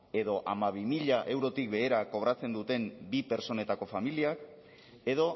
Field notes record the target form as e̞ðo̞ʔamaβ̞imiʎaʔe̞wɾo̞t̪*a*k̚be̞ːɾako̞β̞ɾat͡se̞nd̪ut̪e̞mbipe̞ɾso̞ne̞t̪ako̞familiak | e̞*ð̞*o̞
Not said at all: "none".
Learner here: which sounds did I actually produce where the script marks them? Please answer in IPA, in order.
i, ð̞

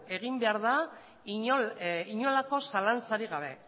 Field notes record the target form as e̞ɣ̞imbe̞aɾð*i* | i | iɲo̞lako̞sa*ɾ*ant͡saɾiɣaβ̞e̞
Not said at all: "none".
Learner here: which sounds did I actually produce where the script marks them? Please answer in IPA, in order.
a, l

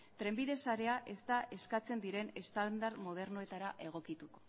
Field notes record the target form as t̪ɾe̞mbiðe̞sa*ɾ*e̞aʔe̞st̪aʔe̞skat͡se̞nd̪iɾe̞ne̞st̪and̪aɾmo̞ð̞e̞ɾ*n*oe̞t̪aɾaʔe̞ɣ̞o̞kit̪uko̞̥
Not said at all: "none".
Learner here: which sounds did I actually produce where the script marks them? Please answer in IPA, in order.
ɾ, n

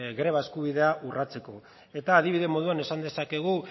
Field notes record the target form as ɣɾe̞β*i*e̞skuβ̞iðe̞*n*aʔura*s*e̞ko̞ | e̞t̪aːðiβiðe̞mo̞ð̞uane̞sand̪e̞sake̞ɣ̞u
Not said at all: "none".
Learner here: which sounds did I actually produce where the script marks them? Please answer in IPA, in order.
a, none, t͡s

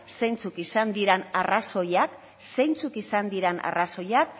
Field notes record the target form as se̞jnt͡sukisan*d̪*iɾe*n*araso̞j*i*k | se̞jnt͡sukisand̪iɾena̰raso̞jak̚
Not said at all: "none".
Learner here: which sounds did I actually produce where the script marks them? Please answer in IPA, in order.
d̪, n, a

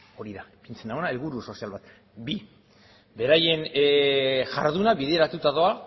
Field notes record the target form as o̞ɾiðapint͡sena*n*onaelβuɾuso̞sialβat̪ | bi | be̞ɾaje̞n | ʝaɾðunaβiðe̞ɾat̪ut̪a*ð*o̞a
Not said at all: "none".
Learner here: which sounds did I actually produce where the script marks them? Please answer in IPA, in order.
none, ð

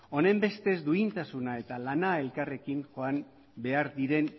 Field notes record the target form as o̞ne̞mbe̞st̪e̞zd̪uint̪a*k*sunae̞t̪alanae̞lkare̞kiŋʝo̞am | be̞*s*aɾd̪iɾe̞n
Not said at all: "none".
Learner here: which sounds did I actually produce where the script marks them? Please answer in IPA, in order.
none, none

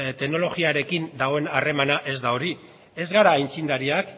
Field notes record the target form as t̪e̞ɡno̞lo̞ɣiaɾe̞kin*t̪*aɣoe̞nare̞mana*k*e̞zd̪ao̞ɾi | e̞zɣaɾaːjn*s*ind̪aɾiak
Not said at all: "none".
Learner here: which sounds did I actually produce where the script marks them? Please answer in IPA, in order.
d̪, ʔ, t͡s

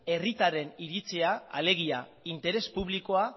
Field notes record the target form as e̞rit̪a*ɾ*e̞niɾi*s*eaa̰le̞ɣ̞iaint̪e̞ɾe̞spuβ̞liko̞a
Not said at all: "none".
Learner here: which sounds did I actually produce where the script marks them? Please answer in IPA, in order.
ɾ, t͡s

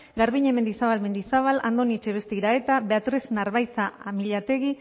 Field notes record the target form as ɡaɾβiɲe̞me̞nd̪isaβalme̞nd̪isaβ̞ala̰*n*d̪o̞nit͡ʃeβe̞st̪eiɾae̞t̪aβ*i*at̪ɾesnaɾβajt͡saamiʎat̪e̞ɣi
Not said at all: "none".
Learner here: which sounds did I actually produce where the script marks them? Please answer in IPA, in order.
n, e

